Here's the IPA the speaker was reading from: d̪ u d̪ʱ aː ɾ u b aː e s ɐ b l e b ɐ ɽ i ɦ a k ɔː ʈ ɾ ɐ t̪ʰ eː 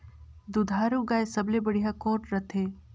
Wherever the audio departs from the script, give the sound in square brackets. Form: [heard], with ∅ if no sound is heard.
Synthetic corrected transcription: d̪ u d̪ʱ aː ɾ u [ɡ] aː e s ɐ b l e b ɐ ɽ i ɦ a k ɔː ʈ ɾ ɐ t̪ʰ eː